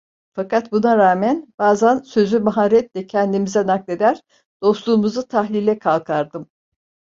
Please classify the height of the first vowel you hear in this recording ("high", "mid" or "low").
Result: low